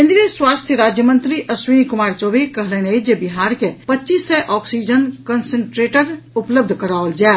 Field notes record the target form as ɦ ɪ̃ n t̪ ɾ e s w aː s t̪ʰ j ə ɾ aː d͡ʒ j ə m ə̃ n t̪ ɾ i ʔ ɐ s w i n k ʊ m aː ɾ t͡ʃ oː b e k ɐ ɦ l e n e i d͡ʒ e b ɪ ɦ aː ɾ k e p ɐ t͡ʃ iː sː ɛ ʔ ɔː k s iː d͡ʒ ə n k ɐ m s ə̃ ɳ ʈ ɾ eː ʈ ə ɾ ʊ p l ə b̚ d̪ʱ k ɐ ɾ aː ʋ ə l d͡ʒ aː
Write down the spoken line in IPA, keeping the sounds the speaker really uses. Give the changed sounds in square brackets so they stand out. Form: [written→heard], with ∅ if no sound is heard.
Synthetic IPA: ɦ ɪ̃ n [t̪→d̪] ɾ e s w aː s t̪ʰ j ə ɾ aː d͡ʒ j ə m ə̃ n t̪ ɾ i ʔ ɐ s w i n k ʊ m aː ɾ t͡ʃ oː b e k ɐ ɦ l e n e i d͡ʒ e b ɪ ɦ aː ɾ k e p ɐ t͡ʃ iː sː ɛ ʔ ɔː k s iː d͡ʒ ə n k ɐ [m→n] s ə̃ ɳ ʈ ɾ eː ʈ ə ɾ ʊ p l ə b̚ d̪ʱ k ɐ ɾ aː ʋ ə l d͡ʒ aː